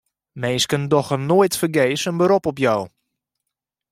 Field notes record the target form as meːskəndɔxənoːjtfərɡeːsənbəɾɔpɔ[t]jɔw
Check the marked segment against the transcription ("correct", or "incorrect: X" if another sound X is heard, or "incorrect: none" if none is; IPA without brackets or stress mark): incorrect: p